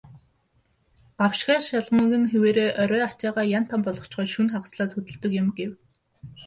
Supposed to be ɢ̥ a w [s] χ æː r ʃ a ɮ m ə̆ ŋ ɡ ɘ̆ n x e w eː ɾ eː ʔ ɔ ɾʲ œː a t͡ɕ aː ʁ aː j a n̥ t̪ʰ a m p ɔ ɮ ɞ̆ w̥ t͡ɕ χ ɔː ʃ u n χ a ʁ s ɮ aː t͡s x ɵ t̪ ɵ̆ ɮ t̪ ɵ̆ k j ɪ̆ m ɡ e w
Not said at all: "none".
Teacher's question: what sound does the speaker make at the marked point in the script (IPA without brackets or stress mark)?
ʃ